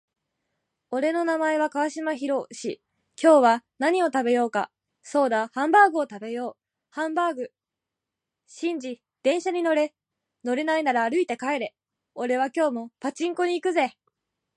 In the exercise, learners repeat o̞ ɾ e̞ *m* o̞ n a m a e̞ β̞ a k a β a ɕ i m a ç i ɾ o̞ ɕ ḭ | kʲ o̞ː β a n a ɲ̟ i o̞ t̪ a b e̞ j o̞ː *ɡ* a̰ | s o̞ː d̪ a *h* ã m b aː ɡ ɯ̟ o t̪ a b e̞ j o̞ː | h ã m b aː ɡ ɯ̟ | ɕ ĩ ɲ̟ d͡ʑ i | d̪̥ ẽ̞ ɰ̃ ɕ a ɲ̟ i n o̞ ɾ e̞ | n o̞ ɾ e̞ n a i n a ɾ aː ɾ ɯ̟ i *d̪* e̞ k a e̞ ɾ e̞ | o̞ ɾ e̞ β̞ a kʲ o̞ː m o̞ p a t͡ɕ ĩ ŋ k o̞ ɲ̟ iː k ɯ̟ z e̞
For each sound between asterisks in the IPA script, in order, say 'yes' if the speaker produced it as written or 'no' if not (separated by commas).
no, no, yes, no